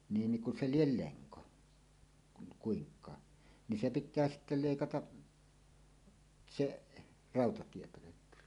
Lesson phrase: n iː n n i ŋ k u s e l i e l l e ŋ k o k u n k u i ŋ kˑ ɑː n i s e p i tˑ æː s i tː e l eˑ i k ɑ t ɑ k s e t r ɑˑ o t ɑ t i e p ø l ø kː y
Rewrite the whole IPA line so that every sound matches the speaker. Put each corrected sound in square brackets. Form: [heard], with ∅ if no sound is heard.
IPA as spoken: n iː n n i ŋ k u s e l i e l l e ŋ k o k u n k u i ŋ kˑ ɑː n i s e p i tˑ æː s i tː e l eˑ i k ɑ t ɑ [ʔ] s e [ʔ] r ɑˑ o t ɑ t i e p ø l ø kː y